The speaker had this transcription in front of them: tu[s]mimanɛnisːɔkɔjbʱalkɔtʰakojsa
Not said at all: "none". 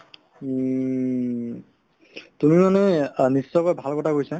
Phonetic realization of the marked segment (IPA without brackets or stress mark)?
none